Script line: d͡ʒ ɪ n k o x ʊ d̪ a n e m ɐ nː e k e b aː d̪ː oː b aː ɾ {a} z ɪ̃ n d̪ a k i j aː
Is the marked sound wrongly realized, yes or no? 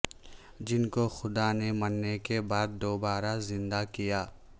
no